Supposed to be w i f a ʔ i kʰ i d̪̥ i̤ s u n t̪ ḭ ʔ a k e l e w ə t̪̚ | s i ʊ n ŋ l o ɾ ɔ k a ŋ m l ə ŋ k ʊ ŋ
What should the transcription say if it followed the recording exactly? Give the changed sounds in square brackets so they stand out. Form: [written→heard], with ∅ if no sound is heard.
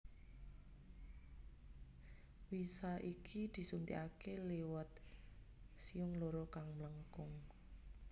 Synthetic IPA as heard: w i [f→s] a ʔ i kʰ i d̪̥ i̤ s u n t̪ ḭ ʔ a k e l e w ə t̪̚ | s i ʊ [n→∅] ŋ l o ɾ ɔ k a ŋ m l ə ŋ k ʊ ŋ